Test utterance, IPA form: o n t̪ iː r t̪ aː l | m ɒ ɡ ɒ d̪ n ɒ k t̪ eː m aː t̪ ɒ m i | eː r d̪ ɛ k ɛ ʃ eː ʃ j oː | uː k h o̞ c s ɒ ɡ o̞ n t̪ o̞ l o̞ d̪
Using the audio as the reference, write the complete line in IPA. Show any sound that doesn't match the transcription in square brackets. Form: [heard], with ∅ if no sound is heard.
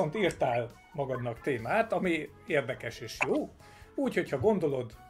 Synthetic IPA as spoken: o n t̪ iː r t̪ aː l | m ɒ ɡ ɒ d̪ n ɒ k t̪ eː m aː t̪ ɒ m i | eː r d̪ ɛ k ɛ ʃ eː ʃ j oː | uː [c] h o̞ c [h] ɒ ɡ o̞ n [d̪] o̞ l o̞ d̪